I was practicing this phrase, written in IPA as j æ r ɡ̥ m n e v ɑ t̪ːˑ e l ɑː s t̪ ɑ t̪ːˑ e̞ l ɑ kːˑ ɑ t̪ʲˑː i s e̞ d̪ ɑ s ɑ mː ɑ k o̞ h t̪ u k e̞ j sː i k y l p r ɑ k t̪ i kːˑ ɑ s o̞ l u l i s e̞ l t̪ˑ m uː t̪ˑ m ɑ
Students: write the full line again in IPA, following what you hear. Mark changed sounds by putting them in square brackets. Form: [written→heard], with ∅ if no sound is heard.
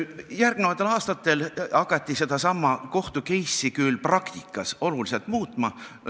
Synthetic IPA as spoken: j æ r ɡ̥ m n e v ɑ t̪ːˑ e l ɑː s t̪ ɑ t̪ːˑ e̞ l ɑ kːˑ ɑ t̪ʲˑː i s e̞ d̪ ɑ s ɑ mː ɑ k o̞ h t̪ u k e̞ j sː i k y l p r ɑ k t̪ i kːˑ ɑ s o̞ l u l i s e̞ l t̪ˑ m uː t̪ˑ m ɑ